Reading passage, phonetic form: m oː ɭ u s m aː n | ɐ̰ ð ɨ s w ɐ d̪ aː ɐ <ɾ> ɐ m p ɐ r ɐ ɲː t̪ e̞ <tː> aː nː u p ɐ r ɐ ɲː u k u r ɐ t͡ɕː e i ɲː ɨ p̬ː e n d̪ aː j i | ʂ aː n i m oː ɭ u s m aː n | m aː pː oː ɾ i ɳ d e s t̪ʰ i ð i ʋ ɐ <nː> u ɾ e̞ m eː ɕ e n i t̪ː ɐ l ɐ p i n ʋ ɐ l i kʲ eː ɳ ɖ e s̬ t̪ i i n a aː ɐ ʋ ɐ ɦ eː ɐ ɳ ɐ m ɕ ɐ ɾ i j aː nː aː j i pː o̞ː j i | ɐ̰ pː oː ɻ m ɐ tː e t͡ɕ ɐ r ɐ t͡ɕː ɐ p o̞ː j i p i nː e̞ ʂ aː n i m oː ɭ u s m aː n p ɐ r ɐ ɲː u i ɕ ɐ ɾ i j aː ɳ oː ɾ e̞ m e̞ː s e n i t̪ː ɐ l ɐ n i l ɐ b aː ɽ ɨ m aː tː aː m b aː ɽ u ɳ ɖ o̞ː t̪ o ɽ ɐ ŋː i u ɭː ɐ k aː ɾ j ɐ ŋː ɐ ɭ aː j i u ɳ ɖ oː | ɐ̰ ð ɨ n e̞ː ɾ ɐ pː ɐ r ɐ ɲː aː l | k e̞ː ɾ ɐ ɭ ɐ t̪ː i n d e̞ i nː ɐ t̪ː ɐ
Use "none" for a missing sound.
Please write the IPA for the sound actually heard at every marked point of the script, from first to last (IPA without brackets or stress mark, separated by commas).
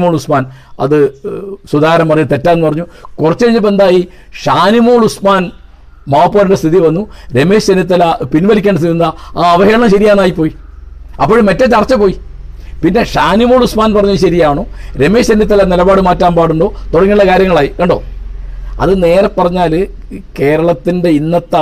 ɾ, tː, nː